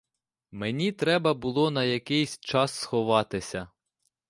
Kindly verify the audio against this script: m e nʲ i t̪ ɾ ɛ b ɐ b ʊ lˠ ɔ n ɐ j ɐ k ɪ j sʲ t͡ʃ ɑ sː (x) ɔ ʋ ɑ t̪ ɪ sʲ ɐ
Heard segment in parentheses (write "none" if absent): x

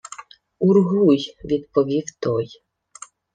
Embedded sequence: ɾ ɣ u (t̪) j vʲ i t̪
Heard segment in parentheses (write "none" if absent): none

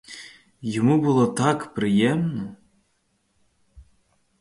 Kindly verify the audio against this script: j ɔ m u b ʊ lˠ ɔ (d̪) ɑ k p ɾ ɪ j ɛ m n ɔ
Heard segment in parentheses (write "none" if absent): t̪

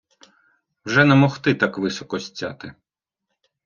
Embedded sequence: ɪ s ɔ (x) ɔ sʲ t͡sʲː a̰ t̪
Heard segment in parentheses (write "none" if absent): k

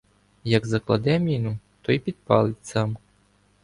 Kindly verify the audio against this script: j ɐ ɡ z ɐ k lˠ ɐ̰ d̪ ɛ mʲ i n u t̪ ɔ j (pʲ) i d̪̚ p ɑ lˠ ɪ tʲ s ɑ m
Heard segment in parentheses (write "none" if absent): pʲ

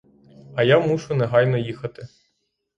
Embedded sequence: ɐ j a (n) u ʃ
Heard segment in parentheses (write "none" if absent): m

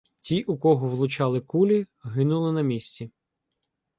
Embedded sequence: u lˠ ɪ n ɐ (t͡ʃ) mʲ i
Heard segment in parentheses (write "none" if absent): none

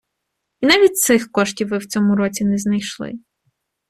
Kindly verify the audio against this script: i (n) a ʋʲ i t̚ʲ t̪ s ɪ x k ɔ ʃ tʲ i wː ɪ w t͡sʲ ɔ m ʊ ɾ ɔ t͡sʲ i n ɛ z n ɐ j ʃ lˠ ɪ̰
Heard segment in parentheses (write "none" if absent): n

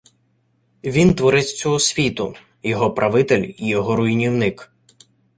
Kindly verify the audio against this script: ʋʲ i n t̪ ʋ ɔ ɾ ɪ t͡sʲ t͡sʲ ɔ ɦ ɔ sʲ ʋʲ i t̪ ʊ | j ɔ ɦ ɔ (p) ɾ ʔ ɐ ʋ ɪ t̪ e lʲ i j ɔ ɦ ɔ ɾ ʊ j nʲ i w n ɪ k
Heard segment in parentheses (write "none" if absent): p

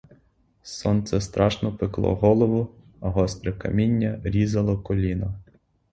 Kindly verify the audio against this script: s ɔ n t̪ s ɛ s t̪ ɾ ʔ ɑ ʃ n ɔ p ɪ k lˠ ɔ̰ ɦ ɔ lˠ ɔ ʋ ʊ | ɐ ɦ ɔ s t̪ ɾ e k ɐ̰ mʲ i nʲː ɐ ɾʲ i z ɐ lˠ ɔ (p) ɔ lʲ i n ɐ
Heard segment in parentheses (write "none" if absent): k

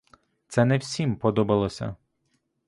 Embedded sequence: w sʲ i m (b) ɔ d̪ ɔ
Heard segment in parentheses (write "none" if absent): p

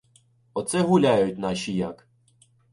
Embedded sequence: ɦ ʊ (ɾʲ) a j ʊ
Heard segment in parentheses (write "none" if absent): lʲ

